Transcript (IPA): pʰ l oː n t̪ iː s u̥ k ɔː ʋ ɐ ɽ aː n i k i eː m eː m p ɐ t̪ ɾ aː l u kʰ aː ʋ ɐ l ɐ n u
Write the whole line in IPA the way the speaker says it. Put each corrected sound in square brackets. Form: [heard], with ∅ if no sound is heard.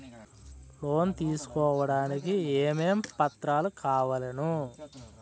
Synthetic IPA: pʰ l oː n t̪ iː s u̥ k ɔː ʋ ɐ ɽ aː n i k i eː m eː m p ɐ t̪ ɾ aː l u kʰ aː ʋ ɐ l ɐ n u